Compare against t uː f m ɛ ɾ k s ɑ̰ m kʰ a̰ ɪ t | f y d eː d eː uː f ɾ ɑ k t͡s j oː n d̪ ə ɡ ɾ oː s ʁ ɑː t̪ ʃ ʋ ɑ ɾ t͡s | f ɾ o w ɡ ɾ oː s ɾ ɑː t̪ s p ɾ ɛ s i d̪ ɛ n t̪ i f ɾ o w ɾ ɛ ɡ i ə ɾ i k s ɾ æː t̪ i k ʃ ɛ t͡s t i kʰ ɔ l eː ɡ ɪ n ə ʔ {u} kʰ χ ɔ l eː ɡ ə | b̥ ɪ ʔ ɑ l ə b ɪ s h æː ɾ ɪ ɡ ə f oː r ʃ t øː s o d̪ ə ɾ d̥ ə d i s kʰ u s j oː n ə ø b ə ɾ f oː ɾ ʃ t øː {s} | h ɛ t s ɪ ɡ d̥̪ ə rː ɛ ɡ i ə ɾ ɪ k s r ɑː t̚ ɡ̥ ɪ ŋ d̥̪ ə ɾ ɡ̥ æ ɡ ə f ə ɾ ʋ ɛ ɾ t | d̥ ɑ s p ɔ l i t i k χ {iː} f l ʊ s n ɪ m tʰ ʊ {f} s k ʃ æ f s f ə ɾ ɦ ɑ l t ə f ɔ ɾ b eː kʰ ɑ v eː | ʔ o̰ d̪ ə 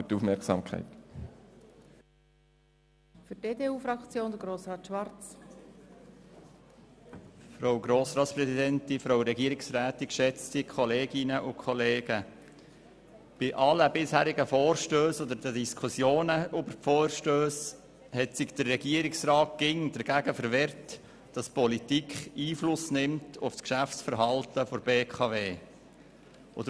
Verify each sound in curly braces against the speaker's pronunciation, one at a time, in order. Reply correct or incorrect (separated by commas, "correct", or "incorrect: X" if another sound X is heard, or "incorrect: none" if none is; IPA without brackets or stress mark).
incorrect: ʊ, correct, correct, correct